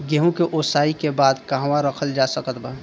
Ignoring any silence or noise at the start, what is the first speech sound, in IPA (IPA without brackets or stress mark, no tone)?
ɡ